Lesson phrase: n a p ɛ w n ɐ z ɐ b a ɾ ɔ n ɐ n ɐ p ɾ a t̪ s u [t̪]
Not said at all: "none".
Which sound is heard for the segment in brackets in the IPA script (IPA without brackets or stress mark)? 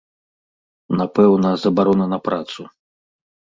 none